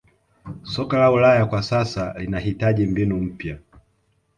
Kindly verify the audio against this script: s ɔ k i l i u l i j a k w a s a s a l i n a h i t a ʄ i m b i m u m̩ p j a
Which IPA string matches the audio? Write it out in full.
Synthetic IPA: s ɔ k a l a u l a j a k w a s a s a l i n a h i t a ʄ i m b i n u m̩ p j a